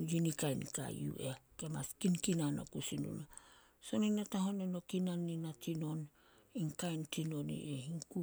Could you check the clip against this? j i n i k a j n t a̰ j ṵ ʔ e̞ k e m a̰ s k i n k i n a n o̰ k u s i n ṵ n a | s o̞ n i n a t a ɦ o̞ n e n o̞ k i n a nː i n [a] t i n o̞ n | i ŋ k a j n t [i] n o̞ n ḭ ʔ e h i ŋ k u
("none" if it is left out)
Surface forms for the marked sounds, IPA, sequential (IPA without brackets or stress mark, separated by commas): a, i